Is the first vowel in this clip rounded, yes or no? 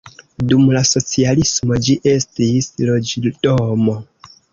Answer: yes